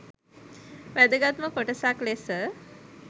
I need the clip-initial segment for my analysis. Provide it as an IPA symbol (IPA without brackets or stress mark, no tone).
ʋ